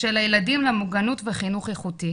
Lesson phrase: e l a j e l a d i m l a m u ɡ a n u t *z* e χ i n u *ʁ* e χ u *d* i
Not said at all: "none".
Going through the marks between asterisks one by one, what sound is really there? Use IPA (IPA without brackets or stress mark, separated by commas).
v, χ, t